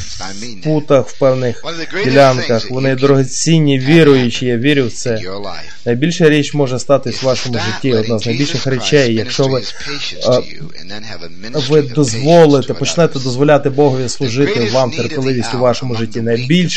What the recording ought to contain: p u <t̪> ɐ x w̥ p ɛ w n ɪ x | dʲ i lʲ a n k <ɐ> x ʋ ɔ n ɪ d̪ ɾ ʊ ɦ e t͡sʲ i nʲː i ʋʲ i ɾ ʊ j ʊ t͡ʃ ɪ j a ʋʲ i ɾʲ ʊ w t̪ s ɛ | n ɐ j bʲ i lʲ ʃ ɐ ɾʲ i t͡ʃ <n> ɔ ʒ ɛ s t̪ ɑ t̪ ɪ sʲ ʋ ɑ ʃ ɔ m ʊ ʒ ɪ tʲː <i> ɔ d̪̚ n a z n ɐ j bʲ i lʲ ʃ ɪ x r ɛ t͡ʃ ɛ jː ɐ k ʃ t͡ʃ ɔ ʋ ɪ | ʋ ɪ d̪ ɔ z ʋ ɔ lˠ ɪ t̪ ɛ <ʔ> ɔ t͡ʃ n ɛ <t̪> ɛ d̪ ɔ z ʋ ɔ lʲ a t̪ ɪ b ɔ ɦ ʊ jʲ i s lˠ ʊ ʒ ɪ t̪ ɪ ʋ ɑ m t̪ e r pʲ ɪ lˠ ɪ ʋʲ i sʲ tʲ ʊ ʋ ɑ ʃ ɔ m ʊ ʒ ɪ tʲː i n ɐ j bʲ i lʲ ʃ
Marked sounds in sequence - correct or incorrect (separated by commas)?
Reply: correct, correct, incorrect, correct, incorrect, correct